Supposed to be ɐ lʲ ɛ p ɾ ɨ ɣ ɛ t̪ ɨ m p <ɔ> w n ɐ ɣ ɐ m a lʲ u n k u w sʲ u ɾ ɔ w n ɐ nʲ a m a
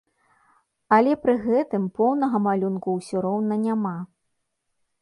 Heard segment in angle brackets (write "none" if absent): ɔ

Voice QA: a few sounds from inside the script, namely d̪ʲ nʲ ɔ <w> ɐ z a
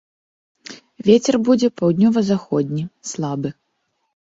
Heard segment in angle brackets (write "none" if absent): v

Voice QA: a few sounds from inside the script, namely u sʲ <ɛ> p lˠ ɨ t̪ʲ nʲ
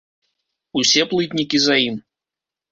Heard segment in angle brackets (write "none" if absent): ɛ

